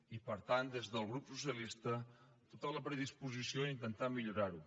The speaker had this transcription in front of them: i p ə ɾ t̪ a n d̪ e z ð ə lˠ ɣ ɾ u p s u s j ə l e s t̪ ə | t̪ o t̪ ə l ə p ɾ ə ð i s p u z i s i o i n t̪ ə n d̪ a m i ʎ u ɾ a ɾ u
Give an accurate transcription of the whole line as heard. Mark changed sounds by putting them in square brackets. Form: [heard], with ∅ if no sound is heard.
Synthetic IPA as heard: i p ə ɾ t̪ a n d̪ e z ð ə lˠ ɣ ɾ u p s u s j ə l [i] s t̪ ə | t̪ o t̪ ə l ə p ɾ ə ð i s p u z i s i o i n t̪ ə n [t̪] a m i ʎ u ɾ a ɾ u